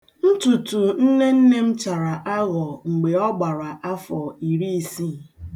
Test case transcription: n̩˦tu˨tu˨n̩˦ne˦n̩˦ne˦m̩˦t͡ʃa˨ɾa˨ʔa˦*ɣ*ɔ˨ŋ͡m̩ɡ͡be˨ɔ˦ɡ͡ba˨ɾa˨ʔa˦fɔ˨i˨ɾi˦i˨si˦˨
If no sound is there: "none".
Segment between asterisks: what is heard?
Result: ɣ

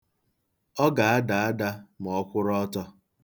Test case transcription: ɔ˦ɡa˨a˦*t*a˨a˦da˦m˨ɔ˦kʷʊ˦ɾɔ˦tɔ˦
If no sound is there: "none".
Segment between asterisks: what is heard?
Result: d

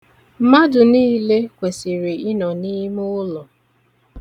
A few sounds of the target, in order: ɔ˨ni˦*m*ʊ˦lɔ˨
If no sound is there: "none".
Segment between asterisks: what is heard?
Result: m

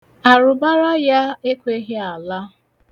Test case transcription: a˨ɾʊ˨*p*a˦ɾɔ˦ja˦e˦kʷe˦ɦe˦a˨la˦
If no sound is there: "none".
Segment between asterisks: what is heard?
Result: b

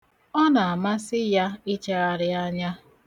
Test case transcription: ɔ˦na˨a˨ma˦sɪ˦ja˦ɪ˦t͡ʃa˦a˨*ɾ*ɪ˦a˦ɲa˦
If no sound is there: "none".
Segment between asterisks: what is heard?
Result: ɾ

